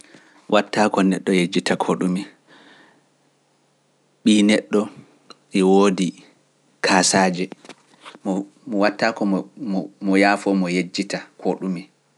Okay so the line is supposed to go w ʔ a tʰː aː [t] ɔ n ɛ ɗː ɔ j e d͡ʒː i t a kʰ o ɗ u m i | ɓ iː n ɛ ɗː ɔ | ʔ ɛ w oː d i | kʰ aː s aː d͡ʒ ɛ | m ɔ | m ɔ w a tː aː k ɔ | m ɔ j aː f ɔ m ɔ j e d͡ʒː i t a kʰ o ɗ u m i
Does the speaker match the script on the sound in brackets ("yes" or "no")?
no